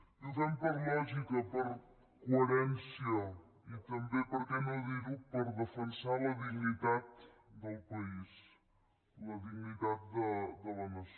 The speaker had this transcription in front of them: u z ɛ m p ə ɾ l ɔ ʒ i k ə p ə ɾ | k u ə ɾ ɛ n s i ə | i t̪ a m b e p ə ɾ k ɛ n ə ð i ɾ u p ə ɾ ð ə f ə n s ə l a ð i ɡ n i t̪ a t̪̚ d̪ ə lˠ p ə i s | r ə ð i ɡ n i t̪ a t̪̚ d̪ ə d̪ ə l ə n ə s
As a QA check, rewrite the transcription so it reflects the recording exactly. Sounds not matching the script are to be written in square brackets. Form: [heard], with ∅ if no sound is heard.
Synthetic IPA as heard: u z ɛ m p ə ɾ l ɔ ʒ i k ə p ə ɾ | k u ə ɾ ɛ n s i ə | i t̪ [ə] m b e p ə ɾ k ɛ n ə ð i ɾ u p ə ɾ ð ə f ə n s [a] l [ə] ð i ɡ n i t̪ a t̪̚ d̪ ə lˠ p ə i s | [l] ə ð i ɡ n i t̪ a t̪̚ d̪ ə d̪ ə l ə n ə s

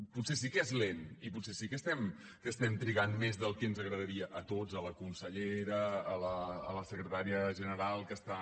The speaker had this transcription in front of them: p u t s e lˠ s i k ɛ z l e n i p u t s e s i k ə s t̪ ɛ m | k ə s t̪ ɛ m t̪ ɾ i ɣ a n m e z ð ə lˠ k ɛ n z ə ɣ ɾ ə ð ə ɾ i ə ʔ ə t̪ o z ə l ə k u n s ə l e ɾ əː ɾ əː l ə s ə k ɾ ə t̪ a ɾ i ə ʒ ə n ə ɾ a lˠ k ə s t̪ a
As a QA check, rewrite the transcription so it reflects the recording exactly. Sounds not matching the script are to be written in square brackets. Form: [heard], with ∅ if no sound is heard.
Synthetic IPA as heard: p u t s e [∅] s i k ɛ z l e n i p u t s e s i k ə s t̪ ɛ m | k ə s t̪ ɛ m t̪ ɾ i ɣ a n m e z ð ə lˠ k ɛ n z ə ɣ ɾ ə ð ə ɾ i ə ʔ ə t̪ o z ə l ə k u n s ə [ʎ] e ɾ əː [l] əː l ə s ə k ɾ ə t̪ a ɾ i ə ʒ ə n ə ɾ a lˠ k ə s t̪ a

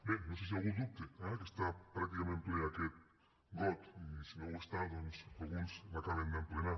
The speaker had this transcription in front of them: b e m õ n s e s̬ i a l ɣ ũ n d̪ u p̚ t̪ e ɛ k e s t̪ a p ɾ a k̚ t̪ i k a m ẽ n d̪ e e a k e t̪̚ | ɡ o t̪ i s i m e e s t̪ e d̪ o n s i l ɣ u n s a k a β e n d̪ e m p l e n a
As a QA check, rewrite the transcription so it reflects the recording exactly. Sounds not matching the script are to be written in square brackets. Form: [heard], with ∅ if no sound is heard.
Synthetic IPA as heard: b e [n] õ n s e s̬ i a l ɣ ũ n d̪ u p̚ t̪ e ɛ k e s t̪ a p ɾ a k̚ t̪ i k a m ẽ n [t̪] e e a k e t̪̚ | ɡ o t̪ i s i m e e s t̪ [a] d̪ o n s [a] l ɣ u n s a k a β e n d̪ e m p l e n a

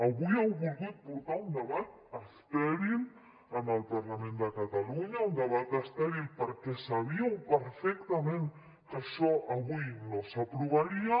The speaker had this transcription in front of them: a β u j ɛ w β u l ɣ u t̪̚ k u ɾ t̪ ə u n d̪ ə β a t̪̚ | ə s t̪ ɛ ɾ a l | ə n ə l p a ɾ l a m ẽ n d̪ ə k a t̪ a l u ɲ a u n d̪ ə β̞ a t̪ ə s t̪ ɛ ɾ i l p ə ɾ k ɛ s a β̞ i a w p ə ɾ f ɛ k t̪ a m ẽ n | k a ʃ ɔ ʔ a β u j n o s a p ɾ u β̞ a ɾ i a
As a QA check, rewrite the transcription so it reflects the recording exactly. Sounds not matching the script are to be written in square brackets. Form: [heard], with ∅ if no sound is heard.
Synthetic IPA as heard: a β u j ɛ w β u l ɣ u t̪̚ [p] u ɾ t̪ [a] u n d̪ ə β a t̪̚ | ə s t̪ ɛ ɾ [i] l | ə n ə l p a ɾ l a m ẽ n d̪ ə k a t̪ a l u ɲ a u n d̪ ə β̞ a t̪ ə s t̪ ɛ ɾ i l p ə ɾ k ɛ s a β̞ i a w p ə ɾ f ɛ k t̪ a m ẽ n | k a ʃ ɔ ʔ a β u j n o s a p ɾ u β̞ a ɾ i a

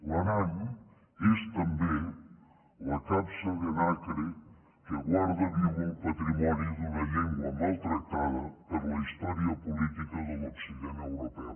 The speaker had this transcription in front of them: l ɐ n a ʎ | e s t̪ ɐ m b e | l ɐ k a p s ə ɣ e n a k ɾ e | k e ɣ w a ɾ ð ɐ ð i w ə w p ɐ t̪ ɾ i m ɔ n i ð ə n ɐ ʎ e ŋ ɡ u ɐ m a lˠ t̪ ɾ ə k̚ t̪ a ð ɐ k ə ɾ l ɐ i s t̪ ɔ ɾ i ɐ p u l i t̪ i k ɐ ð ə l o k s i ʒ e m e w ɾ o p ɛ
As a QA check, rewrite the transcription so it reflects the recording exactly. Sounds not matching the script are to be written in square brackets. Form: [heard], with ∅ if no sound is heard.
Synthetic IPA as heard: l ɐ n a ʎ | e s t̪ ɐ m b e | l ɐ k a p s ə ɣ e n a k ɾ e | k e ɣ w a ɾ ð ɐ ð i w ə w p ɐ t̪ ɾ i m ɔ n i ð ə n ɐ ʎ e ŋ ɡ [w] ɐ m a lˠ t̪ ɾ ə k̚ t̪ a ð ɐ [p] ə ɾ l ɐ i s t̪ ɔ ɾ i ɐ p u l i t̪ i k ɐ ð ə l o k s i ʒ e [n] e w ɾ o p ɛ

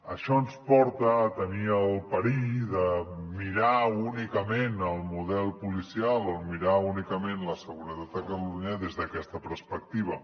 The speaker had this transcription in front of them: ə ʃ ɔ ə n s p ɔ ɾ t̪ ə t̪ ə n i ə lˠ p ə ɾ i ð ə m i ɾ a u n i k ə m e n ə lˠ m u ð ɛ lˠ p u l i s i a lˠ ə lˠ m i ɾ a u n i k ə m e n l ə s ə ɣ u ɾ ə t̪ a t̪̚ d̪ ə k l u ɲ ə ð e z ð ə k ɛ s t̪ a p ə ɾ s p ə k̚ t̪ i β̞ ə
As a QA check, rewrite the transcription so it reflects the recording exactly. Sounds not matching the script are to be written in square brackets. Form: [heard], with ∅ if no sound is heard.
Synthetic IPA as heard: ə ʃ ɔ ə n s p ɔ ɾ t̪ ə t̪ ə n i ə lˠ p ə ɾ i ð ə m i ɾ a u n i k ə m e n ə lˠ m u ð ɛ lˠ p u l i s i a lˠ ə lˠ m i ɾ a u n i k ə m e n l ə s ə ɣ u ɾ ə t̪ a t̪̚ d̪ ə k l u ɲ ə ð e z ð ə k ɛ s t̪ [ə] p ə ɾ s p ə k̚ t̪ i β̞ ə

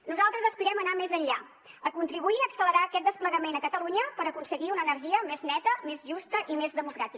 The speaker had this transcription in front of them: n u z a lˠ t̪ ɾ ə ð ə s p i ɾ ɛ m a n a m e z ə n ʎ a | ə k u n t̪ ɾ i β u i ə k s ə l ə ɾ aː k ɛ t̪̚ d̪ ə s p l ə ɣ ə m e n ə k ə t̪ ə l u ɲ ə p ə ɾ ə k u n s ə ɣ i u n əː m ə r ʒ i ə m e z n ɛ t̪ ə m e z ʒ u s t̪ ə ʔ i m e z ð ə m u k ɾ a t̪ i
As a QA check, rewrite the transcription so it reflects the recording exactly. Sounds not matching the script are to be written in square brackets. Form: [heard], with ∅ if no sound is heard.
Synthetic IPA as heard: n u z a lˠ t̪ ɾ ə [z] ə s p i ɾ ɛ m [ə] n a m e z ə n ʎ a | ə k u n t̪ ɾ i β u i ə k s ə l ə ɾ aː k ɛ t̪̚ d̪ ə s p l ə ɣ ə m e n ə k ə t̪ ə l u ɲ ə p ə ɾ ə k u n s ə ɣ i u n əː [n] ə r ʒ i ə m e z n ɛ t̪ ə m e z ʒ u s t̪ ə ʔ i m e z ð ə m u k ɾ a t̪ i

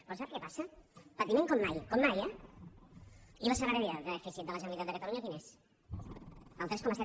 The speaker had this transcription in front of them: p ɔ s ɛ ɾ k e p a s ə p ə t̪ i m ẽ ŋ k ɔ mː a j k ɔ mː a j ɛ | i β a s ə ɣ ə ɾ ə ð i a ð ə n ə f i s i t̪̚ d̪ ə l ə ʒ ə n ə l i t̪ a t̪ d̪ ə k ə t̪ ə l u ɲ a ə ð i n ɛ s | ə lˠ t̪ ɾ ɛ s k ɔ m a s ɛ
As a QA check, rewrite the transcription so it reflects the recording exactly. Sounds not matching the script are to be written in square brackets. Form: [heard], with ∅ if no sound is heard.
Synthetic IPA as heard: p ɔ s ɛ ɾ k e p a s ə p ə t̪ i m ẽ ŋ k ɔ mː a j k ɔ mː a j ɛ | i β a s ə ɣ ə ɾ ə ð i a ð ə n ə f i s i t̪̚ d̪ ə l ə ʒ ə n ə l i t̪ a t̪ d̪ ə k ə t̪ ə l u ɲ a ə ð i n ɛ s | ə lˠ t̪ ɾ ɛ s k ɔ m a s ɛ

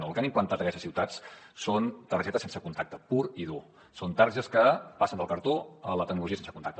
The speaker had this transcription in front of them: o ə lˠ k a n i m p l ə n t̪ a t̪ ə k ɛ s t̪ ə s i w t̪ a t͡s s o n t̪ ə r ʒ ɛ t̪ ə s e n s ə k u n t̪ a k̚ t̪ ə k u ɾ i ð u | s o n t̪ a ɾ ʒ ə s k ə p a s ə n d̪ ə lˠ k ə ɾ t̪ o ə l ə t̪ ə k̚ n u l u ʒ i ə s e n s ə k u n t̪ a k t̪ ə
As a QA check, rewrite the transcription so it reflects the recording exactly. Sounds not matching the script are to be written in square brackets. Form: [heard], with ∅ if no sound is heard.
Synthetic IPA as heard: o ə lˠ k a n i m p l ə n t̪ a t̪ ə k ɛ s t̪ ə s i w t̪ a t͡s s o n t̪ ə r ʒ ɛ t̪ ə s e n s ə k u n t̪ a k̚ t̪ ə [p] u ɾ i ð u | s o n t̪ a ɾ ʒ ə s k ə p a s ə n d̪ ə lˠ k ə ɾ t̪ o ə l ə t̪ ə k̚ n u l u ʒ i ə s e n s ə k u n t̪ a k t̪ ə

